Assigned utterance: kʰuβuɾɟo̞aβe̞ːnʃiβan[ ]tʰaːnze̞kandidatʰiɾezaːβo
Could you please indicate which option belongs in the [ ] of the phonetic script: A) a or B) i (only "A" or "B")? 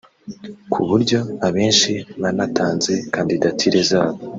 A